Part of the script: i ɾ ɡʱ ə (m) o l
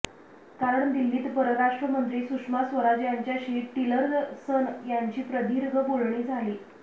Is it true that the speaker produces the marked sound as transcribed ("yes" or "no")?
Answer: no